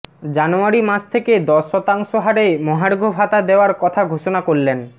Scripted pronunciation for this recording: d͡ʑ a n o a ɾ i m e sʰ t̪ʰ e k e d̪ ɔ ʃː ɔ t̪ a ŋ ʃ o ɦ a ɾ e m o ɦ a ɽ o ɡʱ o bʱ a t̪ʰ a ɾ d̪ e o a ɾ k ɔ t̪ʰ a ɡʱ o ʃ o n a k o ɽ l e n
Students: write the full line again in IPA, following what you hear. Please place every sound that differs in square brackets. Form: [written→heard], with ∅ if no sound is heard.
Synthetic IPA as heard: d͡ʑ a n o a ɾ i m [e→a] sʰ t̪ʰ e k e d̪ ɔ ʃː ɔ t̪ a ŋ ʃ o ɦ a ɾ e m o ɦ a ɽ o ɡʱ o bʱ a [t̪ʰ→t̪] a [ɾ→∅] d̪ e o a ɾ k ɔ t̪ʰ a ɡʱ o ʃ o n a k o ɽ l e n